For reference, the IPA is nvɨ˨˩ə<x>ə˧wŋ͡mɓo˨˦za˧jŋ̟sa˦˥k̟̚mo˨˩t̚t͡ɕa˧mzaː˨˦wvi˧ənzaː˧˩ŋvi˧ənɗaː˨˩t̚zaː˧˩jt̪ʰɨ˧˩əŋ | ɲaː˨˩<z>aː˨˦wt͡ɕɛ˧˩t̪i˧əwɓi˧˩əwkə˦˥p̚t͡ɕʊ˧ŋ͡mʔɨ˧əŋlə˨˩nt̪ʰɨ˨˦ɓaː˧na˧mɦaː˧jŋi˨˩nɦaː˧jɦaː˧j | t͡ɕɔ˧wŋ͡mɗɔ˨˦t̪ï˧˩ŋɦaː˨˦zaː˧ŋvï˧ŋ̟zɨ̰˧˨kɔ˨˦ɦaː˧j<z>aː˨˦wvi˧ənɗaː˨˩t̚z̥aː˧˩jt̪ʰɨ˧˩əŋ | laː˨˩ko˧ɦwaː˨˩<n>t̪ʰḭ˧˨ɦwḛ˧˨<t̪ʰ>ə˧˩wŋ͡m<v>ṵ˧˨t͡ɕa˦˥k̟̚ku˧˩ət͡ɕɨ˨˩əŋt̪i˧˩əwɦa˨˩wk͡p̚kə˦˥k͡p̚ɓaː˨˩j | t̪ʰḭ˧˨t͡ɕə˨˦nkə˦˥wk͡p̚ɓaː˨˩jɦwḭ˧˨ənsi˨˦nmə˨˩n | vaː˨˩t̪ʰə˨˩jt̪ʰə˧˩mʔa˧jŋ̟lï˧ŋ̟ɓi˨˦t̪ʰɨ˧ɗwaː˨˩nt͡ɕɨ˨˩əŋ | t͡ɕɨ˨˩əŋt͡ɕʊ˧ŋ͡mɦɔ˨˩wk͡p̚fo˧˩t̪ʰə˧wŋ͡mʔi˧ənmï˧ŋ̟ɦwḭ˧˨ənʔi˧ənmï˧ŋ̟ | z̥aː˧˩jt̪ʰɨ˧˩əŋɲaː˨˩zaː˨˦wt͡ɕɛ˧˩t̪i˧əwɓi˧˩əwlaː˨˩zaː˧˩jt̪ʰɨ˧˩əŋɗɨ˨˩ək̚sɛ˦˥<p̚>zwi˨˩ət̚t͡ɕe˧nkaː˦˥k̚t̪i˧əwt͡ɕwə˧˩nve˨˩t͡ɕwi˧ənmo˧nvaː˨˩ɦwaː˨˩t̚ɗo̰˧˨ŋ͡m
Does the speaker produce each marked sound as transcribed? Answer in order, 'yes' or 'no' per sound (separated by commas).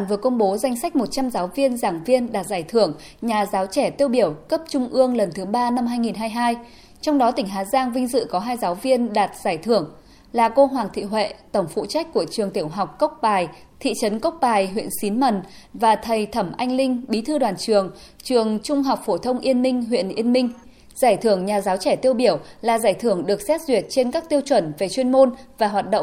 no, yes, yes, no, no, no, no